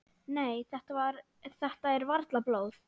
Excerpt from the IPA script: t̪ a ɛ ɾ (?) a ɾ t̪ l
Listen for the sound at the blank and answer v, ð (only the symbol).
v